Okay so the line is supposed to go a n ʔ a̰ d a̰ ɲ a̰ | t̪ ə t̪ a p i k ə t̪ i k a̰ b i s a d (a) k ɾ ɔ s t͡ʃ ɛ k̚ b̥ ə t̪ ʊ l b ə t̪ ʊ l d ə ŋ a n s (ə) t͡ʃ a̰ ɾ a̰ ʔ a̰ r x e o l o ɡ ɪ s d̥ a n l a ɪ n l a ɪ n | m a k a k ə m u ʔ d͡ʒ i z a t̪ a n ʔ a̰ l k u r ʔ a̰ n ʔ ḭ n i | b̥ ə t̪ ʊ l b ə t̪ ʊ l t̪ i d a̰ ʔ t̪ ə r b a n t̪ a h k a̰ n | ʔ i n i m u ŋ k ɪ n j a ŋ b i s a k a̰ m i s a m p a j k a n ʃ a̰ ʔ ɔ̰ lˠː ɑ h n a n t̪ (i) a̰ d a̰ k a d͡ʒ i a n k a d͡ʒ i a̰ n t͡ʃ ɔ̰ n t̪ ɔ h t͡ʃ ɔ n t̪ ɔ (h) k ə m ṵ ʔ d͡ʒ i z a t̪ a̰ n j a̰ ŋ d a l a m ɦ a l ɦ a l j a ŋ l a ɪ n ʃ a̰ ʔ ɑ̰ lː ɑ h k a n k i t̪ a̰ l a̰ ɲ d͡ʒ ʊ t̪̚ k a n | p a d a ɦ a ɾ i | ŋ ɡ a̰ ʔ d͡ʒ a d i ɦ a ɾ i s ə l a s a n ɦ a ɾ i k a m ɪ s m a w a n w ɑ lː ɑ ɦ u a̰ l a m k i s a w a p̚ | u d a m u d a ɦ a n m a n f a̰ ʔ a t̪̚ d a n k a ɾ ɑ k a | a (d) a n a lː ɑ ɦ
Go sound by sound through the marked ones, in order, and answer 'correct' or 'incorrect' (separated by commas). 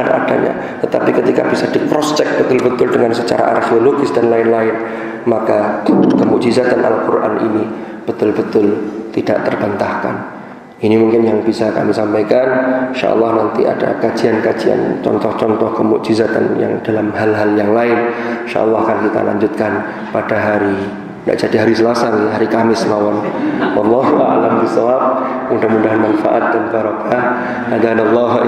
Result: incorrect, correct, correct, correct, correct